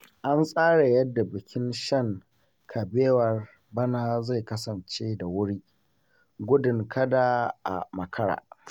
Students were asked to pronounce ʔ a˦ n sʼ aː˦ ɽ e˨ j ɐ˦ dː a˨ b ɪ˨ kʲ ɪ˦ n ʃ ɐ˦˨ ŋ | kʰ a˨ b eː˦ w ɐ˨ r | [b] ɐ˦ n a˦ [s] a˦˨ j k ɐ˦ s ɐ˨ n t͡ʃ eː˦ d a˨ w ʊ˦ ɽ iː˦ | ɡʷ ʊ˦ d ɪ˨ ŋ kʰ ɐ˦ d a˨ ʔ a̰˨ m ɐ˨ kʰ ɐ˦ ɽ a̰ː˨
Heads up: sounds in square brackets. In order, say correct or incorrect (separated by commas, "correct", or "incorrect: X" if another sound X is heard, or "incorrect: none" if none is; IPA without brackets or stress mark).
correct, incorrect: z